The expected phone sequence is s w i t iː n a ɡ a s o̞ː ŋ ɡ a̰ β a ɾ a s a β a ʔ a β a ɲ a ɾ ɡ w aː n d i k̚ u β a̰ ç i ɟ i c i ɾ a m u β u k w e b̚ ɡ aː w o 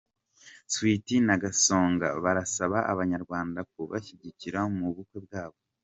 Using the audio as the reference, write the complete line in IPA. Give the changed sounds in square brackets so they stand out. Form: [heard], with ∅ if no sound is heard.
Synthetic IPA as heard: s w i t [i] n a ɡ a s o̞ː ŋ ɡ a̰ β a ɾ a s a β a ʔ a β a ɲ a ɾ ɡ w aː n d [a] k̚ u β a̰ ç i ɟ i c i ɾ a m u β u k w e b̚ ɡ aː [β] o